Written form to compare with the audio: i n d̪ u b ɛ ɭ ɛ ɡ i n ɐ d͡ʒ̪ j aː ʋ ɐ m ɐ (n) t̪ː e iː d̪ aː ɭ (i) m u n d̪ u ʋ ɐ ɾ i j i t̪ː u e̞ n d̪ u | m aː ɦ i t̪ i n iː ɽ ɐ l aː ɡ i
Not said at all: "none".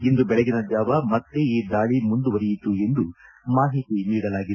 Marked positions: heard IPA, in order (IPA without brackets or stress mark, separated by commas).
none, i